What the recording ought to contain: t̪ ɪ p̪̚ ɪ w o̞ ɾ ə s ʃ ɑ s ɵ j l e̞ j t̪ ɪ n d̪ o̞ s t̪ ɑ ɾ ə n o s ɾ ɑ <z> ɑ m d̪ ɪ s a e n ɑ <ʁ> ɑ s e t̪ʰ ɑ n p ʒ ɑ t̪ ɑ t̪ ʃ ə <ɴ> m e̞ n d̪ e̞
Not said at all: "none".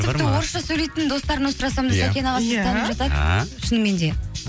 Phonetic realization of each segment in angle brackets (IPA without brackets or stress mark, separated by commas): s, ʁ, n